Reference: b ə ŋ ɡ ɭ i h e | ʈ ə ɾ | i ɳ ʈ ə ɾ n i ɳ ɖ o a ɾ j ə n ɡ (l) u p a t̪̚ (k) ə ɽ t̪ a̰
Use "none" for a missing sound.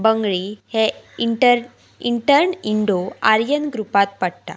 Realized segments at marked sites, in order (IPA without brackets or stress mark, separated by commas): ɾ, p